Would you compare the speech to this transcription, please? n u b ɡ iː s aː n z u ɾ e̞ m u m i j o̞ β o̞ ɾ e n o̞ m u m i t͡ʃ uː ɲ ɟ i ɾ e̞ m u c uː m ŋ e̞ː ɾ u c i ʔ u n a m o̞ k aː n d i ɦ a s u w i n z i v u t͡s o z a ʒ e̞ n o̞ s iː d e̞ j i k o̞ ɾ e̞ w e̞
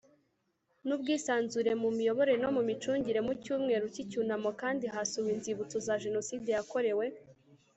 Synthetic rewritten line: n u b ɡ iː s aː n z u ɾ e̞ m u m i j o̞ β o̞ ɾ e n o̞ m u m i t͡ʃ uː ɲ ɟ i ɾ e̞ m u c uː m ŋ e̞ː ɾ u c i c u n a m o̞ k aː n d i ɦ a s u w i n z i β u t͡s o z a ʒ e̞ n o̞ s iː d e̞ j a k o̞ ɾ e̞ w e̞